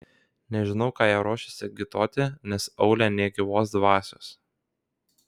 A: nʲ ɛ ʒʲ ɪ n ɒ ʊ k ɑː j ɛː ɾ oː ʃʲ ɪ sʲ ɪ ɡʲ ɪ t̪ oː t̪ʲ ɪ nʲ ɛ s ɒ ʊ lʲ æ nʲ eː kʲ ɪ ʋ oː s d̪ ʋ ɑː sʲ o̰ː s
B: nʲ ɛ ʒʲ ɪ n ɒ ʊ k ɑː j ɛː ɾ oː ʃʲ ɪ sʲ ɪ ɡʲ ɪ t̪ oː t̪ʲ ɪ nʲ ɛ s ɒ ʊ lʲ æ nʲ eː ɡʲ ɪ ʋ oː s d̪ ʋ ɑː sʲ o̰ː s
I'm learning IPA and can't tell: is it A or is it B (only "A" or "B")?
B